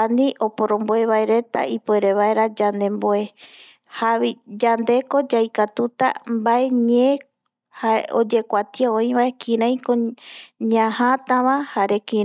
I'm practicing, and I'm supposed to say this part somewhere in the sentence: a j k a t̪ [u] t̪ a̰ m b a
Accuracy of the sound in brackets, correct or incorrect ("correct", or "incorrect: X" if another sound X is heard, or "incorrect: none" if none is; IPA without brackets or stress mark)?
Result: correct